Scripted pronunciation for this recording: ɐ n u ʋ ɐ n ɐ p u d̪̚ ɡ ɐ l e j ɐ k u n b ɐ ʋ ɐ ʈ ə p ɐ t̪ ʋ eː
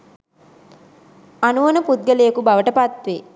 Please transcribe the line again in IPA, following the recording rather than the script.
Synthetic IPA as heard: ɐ n u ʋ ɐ n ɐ p u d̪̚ ɡ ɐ l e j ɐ k u b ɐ ʋ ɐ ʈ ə p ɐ t̪ ʋ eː